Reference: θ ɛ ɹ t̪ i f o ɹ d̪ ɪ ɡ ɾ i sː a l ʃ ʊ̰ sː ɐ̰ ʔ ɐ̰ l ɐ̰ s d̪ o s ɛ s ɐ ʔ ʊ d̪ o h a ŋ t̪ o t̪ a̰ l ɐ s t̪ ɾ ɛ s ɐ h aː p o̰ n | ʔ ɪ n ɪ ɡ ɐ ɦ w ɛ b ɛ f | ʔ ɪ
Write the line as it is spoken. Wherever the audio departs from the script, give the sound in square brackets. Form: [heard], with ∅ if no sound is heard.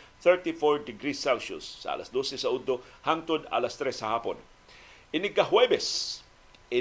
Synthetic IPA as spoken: θ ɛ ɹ t̪ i f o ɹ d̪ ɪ ɡ ɾ i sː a l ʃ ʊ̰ sː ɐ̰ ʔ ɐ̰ l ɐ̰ s d̪ o s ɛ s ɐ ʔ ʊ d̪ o h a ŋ t̪ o [d̪] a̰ l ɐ s t̪ ɾ ɛ s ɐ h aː p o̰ n | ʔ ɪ n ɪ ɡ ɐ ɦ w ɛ b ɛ [s] | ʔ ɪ